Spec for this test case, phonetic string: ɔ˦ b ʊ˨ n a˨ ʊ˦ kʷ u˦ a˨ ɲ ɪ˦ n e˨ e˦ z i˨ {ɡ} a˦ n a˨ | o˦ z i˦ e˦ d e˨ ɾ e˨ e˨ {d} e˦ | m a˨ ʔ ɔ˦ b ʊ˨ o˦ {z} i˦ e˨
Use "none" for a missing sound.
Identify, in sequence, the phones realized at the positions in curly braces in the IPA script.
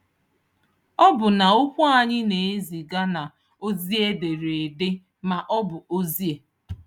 ɡ, d, z

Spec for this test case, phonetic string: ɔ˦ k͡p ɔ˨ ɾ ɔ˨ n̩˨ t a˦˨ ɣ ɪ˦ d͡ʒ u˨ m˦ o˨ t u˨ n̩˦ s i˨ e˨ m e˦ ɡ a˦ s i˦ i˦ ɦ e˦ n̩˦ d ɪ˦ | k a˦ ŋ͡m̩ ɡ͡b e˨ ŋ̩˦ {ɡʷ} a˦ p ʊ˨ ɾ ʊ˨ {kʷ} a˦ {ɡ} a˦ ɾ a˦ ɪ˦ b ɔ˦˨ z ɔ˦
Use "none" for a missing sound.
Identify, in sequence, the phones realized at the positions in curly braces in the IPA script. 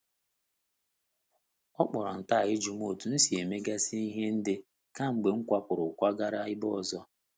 kʷ, kʷ, ɡ

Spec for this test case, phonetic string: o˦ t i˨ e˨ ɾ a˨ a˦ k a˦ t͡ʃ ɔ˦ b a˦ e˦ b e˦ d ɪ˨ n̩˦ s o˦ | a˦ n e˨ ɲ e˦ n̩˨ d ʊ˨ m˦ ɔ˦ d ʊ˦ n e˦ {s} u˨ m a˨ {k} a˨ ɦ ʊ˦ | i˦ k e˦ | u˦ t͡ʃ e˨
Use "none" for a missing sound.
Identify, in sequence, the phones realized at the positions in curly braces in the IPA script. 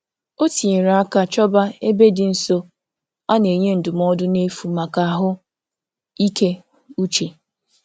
f, k

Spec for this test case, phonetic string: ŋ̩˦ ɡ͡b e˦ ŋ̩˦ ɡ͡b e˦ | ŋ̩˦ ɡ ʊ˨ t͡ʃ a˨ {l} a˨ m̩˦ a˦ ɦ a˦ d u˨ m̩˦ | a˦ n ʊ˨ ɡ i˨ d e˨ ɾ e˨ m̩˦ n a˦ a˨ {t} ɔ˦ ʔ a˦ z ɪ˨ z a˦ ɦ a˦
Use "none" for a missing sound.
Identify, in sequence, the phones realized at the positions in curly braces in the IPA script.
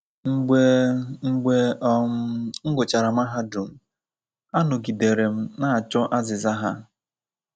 ɾ, t͡ʃ

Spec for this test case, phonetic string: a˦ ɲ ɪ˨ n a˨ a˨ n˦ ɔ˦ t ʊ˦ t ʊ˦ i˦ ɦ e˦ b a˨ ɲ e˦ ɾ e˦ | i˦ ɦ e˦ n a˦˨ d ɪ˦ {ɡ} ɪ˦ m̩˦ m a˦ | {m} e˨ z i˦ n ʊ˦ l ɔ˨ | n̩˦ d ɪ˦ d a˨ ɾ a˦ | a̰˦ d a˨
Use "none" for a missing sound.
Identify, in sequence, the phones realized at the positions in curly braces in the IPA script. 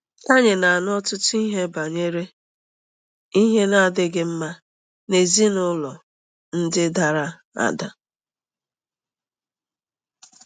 ɡ, n

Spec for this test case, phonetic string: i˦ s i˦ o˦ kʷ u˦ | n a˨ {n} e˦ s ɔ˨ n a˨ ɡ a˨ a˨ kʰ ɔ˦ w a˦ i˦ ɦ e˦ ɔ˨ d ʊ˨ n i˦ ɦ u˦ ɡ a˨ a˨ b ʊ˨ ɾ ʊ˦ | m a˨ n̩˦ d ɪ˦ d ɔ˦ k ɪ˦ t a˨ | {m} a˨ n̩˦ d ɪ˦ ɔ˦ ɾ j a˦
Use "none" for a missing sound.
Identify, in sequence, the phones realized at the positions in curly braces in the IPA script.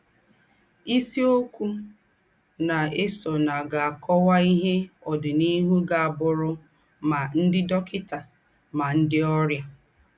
none, m

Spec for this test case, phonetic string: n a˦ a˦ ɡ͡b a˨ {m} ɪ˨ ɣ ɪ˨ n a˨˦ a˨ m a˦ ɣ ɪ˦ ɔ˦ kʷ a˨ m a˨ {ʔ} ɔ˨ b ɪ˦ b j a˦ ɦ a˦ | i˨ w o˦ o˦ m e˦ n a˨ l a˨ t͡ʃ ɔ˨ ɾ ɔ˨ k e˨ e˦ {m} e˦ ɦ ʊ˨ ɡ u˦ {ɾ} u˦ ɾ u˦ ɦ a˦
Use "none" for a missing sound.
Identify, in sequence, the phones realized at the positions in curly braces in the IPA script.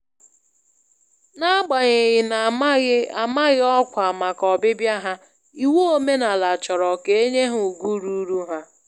ɲ, k, ɲ, ɾ

